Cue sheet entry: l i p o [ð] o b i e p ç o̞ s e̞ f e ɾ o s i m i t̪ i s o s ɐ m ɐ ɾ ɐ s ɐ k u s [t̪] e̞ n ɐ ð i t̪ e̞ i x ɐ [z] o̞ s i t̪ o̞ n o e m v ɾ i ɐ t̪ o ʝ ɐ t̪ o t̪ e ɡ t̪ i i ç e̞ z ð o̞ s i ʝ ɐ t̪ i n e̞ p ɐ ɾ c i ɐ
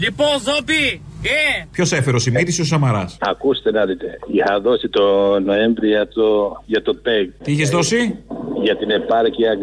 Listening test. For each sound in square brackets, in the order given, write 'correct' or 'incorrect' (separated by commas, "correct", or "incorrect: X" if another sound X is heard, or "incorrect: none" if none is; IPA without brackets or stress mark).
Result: incorrect: z, correct, incorrect: ð